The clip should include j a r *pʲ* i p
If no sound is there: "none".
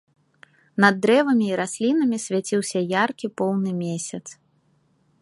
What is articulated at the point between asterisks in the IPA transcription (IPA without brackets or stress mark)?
kʲ